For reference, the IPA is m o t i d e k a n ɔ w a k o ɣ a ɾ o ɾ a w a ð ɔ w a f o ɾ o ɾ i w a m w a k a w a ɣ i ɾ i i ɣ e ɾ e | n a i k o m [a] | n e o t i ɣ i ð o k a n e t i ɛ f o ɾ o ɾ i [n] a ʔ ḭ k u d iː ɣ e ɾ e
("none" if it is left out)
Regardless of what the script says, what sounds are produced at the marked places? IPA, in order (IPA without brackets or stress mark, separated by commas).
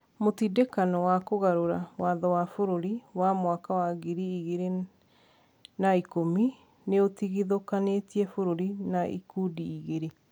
i, n